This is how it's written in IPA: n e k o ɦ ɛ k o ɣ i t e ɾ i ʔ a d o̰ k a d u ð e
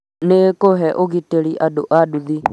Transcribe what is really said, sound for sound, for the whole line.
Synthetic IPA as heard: n e k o ɦ ɛ ʔ o ɣ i t e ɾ i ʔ a d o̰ ʔ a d u ð i